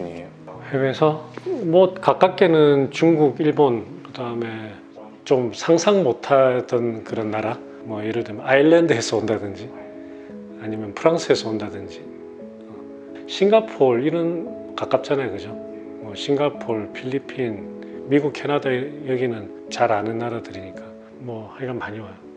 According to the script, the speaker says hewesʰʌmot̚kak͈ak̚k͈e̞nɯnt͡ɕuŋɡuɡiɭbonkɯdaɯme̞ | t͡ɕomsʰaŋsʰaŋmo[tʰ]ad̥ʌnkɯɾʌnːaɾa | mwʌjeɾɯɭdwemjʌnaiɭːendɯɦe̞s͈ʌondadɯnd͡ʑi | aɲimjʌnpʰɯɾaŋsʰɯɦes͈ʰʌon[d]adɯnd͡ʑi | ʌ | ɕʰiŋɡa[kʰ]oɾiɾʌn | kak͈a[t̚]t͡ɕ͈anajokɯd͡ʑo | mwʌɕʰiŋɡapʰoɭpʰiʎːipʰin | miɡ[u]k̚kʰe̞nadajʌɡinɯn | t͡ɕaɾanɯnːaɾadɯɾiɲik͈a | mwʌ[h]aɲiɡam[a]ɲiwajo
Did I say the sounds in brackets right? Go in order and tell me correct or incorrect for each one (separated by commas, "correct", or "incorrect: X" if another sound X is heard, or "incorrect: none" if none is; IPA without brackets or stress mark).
correct, correct, incorrect: pʰ, incorrect: p̚, correct, correct, correct